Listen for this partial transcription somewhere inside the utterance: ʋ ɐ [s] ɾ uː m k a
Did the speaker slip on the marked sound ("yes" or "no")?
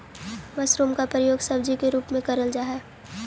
no